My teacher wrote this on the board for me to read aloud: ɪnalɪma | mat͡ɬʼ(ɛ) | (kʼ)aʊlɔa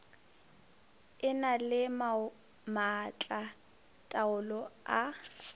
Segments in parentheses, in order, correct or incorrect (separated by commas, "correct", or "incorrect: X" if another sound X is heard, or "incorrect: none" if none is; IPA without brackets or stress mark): incorrect: a, incorrect: tʼ